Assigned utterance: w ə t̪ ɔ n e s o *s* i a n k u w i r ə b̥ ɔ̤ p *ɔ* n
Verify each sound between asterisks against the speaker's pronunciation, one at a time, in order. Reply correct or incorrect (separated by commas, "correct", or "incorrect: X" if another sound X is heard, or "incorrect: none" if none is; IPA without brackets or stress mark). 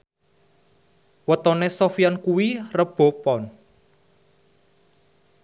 incorrect: f, correct